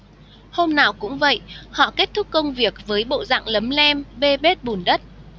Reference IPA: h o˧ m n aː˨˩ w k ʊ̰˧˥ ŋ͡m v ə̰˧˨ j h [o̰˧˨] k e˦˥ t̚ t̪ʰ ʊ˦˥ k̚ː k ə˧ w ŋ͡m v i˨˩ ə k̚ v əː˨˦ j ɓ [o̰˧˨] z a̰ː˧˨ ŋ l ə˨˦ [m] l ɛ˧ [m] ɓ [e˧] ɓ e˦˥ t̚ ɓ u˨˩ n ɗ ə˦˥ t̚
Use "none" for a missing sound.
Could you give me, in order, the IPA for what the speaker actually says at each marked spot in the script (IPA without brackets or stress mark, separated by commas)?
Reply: ɔ̰˧˨, o̰˧˨, m, m, e˧